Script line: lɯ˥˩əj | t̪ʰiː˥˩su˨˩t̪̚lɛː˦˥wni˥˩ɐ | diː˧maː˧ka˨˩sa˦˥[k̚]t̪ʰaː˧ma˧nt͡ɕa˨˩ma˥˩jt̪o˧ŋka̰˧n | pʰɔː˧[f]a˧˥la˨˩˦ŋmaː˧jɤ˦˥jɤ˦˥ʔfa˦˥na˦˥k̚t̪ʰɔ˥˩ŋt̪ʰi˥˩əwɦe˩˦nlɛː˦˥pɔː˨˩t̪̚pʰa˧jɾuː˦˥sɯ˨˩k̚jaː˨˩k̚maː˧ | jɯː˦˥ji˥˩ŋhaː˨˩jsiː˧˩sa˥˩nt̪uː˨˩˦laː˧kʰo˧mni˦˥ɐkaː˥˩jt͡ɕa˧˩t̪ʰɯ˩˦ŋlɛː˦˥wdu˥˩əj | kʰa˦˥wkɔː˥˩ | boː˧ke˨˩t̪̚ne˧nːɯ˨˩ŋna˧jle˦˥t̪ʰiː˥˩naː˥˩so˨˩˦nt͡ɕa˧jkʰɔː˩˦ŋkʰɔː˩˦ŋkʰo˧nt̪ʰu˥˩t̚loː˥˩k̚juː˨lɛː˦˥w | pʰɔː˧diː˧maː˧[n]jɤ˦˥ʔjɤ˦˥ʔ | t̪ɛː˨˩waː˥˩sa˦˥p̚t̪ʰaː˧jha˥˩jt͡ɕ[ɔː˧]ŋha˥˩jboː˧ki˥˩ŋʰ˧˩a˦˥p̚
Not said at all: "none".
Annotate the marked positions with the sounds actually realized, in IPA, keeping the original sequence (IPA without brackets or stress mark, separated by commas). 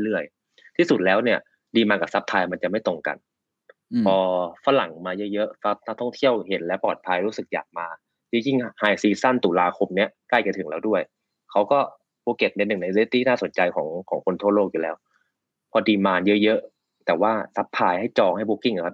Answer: p̚, f, n, ɔː˧